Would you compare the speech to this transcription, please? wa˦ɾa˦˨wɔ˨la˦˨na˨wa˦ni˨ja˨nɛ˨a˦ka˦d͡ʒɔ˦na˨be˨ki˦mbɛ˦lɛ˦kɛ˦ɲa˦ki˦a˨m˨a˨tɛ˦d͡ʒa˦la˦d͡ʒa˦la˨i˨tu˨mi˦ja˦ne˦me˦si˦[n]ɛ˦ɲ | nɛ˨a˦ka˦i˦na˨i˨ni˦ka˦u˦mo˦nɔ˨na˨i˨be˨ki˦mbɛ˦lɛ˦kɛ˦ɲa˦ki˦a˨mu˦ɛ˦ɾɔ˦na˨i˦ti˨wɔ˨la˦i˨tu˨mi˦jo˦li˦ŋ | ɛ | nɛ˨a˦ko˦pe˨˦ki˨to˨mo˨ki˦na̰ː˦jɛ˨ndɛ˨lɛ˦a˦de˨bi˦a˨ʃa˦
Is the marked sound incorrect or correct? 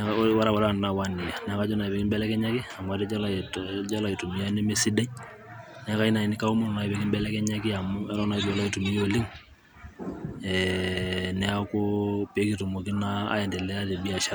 incorrect